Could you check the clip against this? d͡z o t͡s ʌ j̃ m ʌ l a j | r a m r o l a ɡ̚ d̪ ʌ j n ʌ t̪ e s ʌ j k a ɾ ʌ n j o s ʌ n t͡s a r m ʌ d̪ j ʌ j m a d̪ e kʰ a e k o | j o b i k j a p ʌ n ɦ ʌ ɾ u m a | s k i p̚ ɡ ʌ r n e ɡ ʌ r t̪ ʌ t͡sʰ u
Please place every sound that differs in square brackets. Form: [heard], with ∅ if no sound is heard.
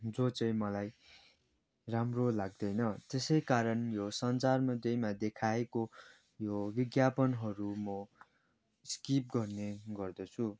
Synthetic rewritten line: d͡z o t͡s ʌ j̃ m ʌ l a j | r a m r o l a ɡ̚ d̪ ʌ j n ʌ t̪ e s ʌ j k a ɾ ʌ n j o s ʌ n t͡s a r m ʌ d̪ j ʌ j m a d̪ e kʰ a e k o | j o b i [ɡ] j a p ʌ n ɦ ʌ ɾ u m [ʌ] | s k i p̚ ɡ ʌ r n e ɡ ʌ r [d̪] ʌ t͡sʰ u